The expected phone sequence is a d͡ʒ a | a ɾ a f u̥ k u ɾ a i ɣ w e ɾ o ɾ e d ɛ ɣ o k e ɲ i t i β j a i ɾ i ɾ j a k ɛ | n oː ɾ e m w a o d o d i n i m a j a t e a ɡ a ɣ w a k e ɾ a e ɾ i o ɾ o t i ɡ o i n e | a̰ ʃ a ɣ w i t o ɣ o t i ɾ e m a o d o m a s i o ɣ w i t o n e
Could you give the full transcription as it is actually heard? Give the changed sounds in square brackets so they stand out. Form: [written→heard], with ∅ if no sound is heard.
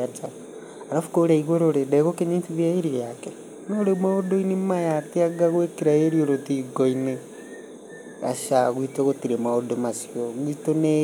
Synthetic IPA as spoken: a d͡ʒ a | a ɾ a f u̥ k [u→o] ɾ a i ɣ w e ɾ o ɾ e d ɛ ɣ o k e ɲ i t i β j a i ɾ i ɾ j a k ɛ | n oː ɾ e m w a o d o [d→∅] i n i m a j a t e a ɡ a ɣ w [a→e] k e ɾ a e ɾ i o ɾ o t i ɡ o i n e | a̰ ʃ a ɣ w i t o ɣ o t i ɾ e m a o d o m a s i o ɣ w i t o n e

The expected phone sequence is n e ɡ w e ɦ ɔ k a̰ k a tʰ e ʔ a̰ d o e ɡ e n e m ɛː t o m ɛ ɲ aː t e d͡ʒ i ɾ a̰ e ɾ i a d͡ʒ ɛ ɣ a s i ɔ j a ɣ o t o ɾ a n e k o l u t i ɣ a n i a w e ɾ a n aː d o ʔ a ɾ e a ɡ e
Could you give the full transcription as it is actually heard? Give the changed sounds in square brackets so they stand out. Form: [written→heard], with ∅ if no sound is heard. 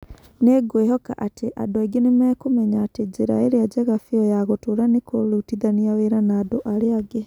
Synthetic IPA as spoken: n e ɡ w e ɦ ɔ k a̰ [k→ʔ] a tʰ e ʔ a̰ d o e ɡ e n e m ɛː [t→k] o m ɛ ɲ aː t e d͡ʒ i ɾ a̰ e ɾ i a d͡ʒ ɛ ɣ a [s→f] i ɔ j a ɣ o t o ɾ a n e k o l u t i [ɣ→ð] a n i a w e ɾ a n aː d o ʔ a ɾ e a ɡ e

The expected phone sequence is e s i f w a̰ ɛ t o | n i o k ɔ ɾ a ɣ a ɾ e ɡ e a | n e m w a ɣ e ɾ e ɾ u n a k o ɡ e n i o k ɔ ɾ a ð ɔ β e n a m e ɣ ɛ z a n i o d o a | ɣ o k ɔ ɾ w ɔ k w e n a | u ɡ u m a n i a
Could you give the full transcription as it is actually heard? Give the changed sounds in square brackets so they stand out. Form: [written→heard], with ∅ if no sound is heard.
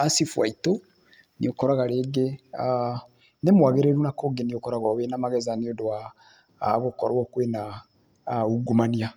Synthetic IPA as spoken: [e→a] s i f w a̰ [ɛ→i] t o | n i o k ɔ ɾ a ɣ a ɾ e ɡ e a | n e m w a ɣ e ɾ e ɾ u n a k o ɡ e n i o k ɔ ɾ a [ð→ɣ] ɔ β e n a m [e→a] ɣ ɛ z a n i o d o a | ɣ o k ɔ ɾ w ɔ k w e n a | u ɡ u m a n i a

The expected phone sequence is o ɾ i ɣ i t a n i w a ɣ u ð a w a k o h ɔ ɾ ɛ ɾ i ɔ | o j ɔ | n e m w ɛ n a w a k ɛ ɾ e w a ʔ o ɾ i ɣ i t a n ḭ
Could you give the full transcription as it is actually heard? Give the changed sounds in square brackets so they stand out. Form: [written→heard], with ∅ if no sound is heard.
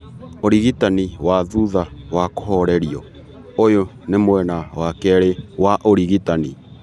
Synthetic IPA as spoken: o ɾ i ɣ i t a n i w a [ɣ→ð] u ð a w a k o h ɔ ɾ ɛ ɾ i ɔ | o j [ɔ→o] | n e m w ɛ n a w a k ɛ ɾ e w a ʔ o ɾ i ɣ i t a n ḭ

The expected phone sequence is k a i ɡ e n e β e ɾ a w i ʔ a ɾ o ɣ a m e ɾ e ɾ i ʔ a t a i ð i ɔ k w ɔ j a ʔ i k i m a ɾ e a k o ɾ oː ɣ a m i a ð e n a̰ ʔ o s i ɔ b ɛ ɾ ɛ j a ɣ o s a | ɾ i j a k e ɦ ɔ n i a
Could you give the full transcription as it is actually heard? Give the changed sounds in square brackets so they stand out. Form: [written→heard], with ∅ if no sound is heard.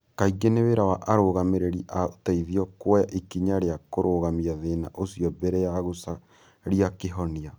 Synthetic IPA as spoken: k a i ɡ e n e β e ɾ a w [i→a] ʔ a ɾ o ɣ a m e ɾ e ɾ i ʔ a t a i ð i ɔ k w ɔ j a ʔ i k i [m→ɲ] a ɾ e a k o ɾ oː ɣ a m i a ð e n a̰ ʔ o s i ɔ b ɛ ɾ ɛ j a ɣ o s a | ɾ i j a k e ɦ ɔ n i a

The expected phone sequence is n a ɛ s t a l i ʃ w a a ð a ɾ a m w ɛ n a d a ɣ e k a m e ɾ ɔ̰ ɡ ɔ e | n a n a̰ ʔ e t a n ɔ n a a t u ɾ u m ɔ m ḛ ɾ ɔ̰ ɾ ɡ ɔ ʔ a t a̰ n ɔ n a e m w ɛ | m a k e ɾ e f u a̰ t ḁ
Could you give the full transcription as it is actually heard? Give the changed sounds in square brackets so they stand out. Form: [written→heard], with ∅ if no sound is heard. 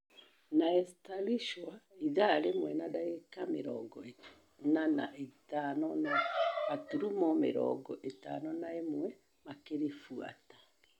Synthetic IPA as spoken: n a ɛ s t a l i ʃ w a [a→i] ð a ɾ [a→e] m w ɛ n a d a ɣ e k a m e ɾ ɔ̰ ɡ ɔ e | n a n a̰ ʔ e t a n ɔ n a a t u ɾ u m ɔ m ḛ ɾ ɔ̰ [ɾ→∅] ɡ ɔ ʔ [a→e] t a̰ n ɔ n a e m w ɛ | m a k e ɾ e f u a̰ t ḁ

